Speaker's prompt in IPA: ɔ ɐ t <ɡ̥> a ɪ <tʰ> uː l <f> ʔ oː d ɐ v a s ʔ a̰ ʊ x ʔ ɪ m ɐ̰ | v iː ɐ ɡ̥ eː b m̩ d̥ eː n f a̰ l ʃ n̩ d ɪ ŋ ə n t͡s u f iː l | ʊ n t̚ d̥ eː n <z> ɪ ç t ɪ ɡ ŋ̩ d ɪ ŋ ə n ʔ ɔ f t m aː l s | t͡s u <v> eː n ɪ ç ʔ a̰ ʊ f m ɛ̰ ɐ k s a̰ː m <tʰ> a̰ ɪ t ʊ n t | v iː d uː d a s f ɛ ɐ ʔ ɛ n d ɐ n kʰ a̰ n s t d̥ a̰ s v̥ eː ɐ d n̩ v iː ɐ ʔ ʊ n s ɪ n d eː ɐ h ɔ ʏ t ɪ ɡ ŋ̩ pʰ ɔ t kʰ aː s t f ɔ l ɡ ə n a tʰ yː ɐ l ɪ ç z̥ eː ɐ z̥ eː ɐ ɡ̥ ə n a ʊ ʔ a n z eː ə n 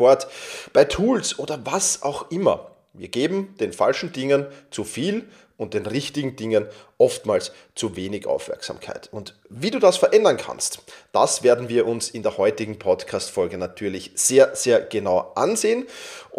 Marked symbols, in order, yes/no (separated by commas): no, yes, no, no, yes, no